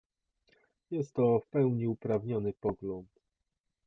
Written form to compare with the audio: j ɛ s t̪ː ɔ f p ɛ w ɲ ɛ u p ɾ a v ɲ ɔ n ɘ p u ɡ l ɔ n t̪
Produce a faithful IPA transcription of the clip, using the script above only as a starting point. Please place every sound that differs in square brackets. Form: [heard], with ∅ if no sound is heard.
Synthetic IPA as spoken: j ɛ s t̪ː ɔ f p ɛ w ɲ [i] u p ɾ a v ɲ ɔ n ɘ p [ɔ] ɡ l ɔ n t̪